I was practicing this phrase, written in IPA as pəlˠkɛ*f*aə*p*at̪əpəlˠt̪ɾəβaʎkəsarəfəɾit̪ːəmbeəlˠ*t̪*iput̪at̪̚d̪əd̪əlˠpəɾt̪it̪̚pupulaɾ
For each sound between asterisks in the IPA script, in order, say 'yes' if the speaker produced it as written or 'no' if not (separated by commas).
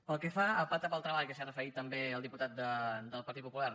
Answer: yes, yes, no